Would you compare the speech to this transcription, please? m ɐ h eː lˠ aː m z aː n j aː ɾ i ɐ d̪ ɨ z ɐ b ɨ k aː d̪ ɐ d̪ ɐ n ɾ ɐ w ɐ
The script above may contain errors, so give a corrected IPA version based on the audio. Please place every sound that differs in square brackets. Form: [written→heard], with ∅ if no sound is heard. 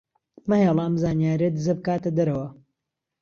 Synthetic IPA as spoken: m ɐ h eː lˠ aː m z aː n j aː ɾ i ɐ d̪ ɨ z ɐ b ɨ k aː [d̪→t̪] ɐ d̪ ɐ [n→∅] ɾ ɐ w ɐ